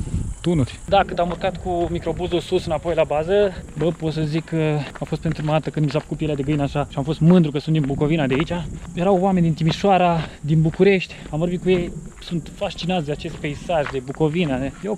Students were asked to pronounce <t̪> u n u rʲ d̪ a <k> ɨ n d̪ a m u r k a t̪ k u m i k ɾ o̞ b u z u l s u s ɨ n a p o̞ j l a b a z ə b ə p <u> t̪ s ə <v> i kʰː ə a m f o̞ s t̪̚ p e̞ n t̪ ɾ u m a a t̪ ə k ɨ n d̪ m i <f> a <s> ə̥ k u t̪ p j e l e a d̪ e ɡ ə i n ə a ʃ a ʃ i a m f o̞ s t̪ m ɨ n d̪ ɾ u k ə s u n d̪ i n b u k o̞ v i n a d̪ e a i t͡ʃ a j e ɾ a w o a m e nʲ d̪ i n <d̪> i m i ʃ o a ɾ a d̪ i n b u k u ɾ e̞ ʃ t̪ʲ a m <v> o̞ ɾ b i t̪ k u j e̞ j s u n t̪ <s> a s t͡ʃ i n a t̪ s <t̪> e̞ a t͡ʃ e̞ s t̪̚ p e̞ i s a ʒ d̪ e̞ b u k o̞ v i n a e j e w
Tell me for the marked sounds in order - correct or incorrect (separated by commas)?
correct, correct, incorrect, incorrect, incorrect, incorrect, incorrect, correct, incorrect, incorrect